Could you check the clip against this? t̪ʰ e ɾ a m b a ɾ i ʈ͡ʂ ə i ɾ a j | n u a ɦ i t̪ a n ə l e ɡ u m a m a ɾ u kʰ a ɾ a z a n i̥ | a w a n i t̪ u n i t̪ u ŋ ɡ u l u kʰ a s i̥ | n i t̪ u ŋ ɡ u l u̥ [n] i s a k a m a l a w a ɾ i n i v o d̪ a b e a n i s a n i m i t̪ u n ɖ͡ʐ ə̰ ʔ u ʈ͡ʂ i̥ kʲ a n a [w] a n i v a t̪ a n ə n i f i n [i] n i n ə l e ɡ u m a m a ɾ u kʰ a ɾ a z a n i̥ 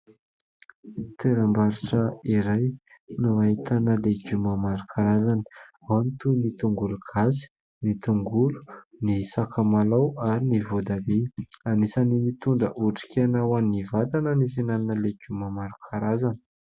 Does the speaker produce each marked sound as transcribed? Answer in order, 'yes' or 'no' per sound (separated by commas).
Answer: yes, yes, no